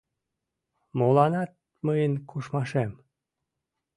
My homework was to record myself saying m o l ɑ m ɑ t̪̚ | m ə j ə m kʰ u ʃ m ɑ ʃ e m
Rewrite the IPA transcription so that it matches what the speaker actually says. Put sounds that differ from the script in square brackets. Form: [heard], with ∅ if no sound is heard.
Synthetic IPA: m o l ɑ [n] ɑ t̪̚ | m ə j ə [n] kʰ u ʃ m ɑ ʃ e m